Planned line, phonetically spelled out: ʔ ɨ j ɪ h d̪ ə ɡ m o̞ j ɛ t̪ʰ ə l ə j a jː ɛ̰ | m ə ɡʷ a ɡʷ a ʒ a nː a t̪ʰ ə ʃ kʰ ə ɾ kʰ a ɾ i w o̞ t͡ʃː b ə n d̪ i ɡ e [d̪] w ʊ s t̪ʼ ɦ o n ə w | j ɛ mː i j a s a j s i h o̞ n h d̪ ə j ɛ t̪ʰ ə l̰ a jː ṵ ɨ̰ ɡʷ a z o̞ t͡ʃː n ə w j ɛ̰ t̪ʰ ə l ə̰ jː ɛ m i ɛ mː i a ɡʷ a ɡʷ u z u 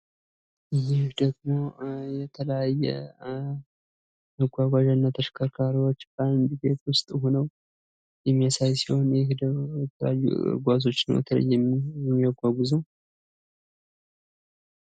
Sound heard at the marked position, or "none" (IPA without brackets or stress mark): t̪